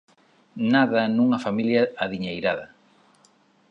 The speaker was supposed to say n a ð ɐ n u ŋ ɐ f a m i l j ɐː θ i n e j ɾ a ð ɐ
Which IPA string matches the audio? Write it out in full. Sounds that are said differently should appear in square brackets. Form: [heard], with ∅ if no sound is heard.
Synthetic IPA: n a ð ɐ n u ŋ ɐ f a m i l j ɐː [ð] i [ɲ] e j ɾ a ð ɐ

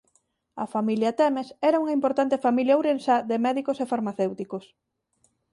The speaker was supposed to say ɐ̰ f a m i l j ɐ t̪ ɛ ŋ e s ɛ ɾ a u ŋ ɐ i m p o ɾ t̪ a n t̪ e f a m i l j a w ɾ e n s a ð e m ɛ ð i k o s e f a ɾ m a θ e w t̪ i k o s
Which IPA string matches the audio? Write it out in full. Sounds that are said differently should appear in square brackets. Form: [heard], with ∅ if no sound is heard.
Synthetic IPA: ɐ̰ f a m i l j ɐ t̪ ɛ [m] e s ɛ ɾ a u ŋ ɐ i m p o ɾ t̪ a n t̪ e f a m i l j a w ɾ e n s a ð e m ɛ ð i k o s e f a ɾ m a θ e w t̪ i k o s

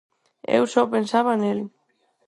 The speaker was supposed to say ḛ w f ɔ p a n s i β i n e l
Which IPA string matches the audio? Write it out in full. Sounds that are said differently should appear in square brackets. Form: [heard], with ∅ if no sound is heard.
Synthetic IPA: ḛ w [s] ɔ p [e] n s [a] β [a] n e l

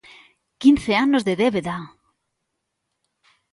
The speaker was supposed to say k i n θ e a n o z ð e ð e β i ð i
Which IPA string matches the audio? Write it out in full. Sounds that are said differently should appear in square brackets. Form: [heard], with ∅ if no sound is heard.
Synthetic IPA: k i n θ e a n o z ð e ð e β [e] ð [a]

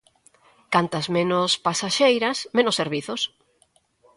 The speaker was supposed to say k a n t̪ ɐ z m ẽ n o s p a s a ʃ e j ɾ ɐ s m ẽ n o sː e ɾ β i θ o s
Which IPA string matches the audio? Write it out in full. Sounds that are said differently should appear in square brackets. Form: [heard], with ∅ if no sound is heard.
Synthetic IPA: k a n t̪ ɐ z m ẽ n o s p a s a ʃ e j ɾ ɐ s m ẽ n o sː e ɾ β i θ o s

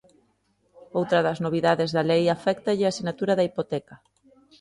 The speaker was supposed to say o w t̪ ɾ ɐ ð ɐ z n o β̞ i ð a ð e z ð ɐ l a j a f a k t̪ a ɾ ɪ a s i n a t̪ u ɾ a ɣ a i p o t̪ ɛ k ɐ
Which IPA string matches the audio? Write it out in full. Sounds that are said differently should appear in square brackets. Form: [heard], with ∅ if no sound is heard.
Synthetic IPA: o w t̪ ɾ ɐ ð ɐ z n o β̞ i ð a ð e z ð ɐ l [e] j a f [ɛ] k t̪ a [ʎ] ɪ a s i n a t̪ u ɾ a [ð] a i p o t̪ ɛ k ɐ

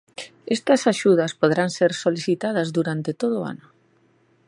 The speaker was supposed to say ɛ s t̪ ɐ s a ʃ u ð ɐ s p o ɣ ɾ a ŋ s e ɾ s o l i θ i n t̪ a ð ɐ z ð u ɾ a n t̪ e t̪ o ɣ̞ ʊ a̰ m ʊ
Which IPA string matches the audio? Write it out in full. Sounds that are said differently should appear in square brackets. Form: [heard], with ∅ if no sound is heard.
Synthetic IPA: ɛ s t̪ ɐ s a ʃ u ð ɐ s p o [ð] ɾ a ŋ s e ɾ s o l i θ i [∅] t̪ a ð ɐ z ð u ɾ a n t̪ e t̪ o [ð̞] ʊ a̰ [n] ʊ

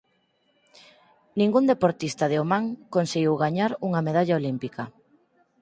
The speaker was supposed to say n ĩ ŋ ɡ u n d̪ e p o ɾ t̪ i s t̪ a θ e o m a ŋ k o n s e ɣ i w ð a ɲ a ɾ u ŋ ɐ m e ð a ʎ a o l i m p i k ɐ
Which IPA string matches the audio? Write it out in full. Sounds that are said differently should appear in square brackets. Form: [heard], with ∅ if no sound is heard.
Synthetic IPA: n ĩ ŋ ɡ u n d̪ e p o ɾ t̪ i s t̪ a [ð] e o m a ŋ k o n s e ɣ i w [ɣ] a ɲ a ɾ u ŋ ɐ m e ð a ʎ a o l i m p i k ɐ

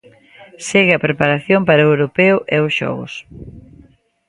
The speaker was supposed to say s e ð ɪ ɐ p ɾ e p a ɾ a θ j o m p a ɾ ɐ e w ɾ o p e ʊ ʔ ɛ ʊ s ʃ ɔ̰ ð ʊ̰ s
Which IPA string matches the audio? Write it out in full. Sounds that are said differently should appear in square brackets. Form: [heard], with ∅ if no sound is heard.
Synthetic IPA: s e [ɣ] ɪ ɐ p ɾ e p a ɾ a θ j o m p a ɾ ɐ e w ɾ o p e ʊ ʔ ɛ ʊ s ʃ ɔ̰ [ɣ] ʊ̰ s

